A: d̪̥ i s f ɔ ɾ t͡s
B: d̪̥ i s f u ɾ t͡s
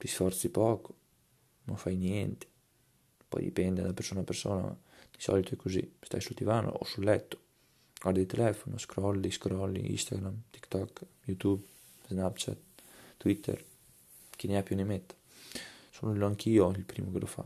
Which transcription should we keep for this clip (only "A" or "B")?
A